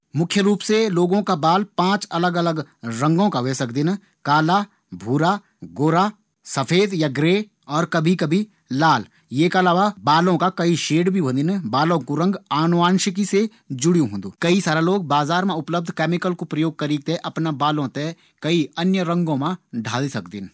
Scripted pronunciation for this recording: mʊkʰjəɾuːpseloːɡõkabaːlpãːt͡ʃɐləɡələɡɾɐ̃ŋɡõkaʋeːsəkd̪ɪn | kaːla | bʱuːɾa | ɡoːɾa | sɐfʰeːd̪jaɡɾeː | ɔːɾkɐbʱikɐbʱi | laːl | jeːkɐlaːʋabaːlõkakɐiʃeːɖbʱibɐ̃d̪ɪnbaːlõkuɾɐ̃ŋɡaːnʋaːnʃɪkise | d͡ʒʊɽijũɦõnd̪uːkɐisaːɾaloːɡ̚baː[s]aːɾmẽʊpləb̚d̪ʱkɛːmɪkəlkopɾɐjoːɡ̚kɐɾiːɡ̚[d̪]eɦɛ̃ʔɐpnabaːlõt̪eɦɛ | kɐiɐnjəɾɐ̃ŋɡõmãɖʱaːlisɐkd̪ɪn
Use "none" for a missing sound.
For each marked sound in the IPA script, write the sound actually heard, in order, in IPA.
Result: z, t̪

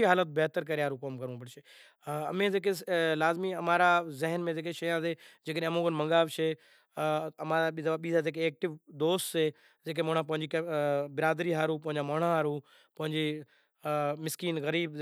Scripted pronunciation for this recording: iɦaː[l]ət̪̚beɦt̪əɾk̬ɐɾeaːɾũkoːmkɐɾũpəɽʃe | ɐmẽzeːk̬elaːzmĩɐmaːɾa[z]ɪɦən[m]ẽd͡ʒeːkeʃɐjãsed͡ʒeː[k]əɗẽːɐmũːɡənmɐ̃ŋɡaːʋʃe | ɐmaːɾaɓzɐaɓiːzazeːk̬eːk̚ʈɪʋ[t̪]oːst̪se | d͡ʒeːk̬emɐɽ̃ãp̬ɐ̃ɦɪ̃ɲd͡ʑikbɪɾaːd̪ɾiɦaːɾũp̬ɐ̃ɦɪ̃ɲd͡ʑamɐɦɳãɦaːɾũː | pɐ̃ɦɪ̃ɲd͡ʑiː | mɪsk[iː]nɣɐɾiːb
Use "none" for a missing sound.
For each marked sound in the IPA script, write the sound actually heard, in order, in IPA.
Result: l, z, m, k, d̪, iː

